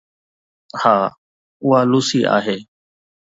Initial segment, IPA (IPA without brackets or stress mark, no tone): h